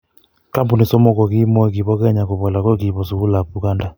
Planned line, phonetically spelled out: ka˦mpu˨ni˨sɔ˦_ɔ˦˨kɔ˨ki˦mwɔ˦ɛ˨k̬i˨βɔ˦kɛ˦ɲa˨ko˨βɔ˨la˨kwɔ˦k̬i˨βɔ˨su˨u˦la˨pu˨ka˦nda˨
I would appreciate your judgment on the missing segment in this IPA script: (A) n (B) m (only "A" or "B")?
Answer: B